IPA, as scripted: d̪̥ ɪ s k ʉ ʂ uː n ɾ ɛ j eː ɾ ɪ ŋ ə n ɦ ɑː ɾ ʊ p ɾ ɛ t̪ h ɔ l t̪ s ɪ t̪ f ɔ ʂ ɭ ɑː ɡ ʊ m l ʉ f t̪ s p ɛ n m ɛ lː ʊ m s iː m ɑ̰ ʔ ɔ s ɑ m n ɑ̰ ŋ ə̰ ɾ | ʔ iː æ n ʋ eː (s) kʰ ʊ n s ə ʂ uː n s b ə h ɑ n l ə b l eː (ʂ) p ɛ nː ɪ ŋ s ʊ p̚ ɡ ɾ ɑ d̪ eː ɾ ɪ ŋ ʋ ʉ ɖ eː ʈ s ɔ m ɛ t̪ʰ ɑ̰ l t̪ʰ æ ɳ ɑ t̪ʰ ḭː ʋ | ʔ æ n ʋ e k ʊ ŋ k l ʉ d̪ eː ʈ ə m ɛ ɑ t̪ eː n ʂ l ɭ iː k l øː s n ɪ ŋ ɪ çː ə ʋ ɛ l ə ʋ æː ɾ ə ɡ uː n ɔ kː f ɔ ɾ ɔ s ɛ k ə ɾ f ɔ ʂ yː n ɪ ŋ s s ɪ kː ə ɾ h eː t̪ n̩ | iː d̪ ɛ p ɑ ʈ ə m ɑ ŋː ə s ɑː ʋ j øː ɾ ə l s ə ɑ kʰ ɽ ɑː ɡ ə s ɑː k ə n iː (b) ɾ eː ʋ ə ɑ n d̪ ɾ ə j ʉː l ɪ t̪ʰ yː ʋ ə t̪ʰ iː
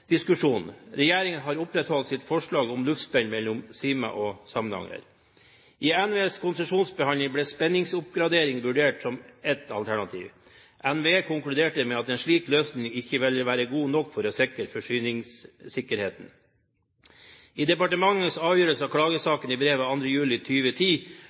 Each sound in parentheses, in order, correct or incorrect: correct, incorrect, correct

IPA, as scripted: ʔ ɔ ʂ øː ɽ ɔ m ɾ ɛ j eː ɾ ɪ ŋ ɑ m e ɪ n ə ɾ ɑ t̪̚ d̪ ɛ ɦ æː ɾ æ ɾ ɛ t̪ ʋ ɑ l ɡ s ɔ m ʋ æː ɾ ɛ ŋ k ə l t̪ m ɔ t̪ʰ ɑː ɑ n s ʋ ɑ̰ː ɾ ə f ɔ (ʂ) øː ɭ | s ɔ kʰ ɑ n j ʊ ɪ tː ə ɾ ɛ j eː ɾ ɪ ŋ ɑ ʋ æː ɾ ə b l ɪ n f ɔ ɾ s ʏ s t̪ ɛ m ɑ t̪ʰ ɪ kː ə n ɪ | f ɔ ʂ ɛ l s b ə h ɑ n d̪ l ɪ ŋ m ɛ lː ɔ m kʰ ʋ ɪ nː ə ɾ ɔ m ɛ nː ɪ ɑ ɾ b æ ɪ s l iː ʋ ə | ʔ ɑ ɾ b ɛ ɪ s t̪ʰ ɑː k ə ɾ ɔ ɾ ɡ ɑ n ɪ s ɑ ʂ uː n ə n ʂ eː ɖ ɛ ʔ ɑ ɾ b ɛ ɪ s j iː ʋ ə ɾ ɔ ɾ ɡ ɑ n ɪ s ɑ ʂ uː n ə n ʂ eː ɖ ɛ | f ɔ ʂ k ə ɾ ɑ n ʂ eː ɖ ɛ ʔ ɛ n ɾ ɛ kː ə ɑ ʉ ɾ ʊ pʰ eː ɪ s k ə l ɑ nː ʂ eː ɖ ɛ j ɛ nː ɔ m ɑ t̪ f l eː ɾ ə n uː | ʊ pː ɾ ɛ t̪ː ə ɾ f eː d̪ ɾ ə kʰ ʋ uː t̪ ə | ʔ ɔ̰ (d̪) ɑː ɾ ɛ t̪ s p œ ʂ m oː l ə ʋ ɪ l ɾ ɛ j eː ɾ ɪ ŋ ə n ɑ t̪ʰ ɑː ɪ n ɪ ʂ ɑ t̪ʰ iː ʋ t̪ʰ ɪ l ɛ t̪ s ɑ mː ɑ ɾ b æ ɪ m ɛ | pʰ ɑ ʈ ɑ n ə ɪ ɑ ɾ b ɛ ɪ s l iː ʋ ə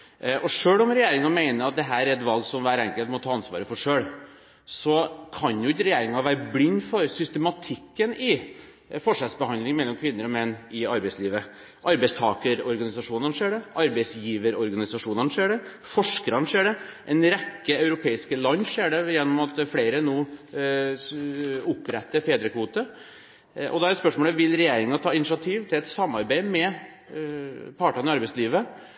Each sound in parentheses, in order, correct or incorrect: correct, correct

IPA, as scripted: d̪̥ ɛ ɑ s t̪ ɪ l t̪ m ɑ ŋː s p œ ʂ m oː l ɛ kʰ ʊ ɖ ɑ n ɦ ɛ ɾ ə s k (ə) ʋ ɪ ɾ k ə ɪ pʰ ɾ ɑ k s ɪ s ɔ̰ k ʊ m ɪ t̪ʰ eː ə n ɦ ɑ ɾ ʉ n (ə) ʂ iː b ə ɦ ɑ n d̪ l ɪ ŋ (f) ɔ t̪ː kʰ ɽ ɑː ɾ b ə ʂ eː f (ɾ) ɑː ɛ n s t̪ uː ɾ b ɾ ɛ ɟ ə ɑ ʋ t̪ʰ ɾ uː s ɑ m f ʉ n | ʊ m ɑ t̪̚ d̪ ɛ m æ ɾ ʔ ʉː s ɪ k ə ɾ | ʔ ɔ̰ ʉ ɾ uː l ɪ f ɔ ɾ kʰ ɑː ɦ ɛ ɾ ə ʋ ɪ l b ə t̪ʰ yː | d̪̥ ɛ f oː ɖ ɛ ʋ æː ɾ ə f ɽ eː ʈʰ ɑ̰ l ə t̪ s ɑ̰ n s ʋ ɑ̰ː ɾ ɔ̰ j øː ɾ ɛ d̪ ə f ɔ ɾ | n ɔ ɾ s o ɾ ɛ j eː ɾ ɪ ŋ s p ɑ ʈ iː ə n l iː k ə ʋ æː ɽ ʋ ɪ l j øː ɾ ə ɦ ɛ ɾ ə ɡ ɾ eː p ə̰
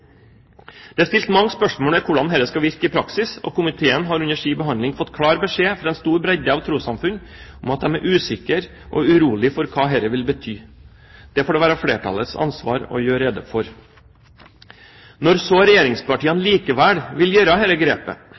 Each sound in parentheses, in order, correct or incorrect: incorrect, correct, correct, correct

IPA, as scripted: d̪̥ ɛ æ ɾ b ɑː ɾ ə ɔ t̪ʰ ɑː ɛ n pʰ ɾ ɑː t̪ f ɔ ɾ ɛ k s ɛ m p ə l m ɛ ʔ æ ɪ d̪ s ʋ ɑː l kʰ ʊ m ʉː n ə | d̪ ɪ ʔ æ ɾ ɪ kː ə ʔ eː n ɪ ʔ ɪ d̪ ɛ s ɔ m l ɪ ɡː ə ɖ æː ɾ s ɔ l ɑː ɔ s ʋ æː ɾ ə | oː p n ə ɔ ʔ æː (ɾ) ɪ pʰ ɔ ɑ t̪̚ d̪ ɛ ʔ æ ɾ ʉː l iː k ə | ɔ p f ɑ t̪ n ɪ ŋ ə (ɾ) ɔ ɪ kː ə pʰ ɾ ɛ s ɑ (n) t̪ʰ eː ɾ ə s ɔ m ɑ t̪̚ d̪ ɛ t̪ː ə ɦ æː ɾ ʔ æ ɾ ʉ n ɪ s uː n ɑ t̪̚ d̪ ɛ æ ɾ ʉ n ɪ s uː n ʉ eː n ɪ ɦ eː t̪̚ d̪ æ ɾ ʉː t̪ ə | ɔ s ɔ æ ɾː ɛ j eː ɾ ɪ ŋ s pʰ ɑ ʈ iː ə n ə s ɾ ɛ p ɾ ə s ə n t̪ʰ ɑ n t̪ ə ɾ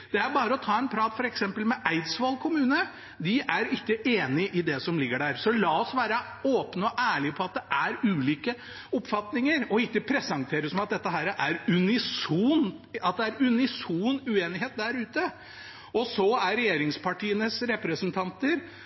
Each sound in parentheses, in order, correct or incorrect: incorrect, correct, incorrect

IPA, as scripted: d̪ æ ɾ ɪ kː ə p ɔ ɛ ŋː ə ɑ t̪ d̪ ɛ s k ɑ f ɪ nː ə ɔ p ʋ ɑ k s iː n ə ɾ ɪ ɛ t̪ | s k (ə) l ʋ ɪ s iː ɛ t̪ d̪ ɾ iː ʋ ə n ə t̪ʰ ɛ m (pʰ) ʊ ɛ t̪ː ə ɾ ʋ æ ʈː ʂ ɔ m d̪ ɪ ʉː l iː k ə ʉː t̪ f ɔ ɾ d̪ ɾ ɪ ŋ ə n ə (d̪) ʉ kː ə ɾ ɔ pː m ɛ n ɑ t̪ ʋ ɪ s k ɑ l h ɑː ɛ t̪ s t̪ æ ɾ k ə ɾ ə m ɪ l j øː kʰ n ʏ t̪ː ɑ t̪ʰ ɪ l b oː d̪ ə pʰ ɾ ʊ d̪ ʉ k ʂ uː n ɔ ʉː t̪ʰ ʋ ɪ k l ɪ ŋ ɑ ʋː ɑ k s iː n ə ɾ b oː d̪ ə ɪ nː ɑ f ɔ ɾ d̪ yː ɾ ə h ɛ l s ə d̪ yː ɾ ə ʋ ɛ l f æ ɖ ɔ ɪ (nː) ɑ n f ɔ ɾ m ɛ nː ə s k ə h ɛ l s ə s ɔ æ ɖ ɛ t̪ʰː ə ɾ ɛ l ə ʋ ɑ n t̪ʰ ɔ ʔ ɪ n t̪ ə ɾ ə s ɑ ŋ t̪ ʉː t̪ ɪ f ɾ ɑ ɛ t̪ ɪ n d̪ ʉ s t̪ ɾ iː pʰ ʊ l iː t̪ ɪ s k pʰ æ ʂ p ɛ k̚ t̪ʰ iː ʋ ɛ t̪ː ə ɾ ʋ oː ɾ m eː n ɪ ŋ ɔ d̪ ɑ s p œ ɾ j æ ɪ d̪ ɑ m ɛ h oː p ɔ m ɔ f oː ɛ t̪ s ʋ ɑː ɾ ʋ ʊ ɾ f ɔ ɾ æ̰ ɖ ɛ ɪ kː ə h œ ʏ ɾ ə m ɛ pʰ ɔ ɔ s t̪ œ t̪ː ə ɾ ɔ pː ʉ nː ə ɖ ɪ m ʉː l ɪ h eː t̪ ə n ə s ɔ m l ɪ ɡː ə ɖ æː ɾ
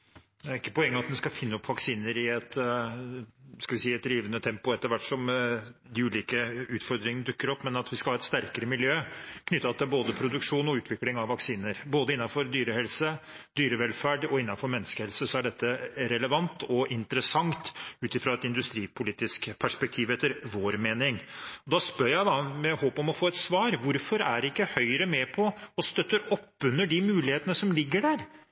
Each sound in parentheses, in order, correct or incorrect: incorrect, incorrect, correct, correct

